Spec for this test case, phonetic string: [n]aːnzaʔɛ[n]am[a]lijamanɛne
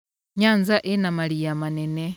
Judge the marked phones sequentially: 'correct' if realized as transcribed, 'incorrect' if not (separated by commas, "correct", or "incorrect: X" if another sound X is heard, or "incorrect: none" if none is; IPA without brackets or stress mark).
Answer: incorrect: ɲ, correct, correct